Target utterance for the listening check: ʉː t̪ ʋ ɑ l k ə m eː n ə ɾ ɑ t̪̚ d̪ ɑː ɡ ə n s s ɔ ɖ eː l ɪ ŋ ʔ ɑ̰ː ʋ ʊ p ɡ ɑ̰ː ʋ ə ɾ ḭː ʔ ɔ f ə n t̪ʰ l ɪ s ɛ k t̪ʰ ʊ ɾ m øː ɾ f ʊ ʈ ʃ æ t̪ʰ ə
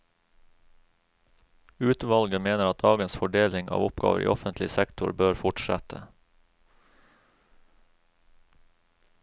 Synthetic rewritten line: ʉː t̪ ʋ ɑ l ɡ ə m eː n ə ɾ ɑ t̪̚ d̪ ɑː ɡ ə n s f ɔ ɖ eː l ɪ ŋ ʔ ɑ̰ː ʋ ʊ p ɡ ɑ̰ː ʋ ə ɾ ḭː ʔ ɔ f ə n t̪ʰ l ɪ s ɛ k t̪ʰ ʊ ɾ b øː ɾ f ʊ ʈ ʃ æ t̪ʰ ə